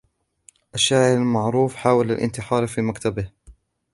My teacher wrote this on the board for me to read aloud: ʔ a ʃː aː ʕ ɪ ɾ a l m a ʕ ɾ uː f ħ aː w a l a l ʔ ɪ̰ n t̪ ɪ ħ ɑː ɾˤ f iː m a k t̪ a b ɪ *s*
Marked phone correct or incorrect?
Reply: incorrect